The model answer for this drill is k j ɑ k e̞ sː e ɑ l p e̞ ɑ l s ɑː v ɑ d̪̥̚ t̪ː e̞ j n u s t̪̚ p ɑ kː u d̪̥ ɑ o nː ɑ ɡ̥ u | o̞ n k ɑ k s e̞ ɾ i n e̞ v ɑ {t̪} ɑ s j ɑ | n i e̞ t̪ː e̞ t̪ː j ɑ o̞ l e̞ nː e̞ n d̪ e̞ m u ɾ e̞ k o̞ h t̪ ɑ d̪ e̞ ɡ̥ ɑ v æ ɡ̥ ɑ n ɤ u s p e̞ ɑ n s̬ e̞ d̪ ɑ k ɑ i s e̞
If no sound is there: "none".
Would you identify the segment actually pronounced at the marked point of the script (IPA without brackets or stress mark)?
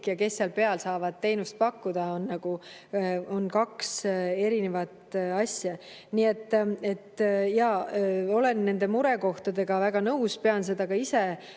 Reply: t̪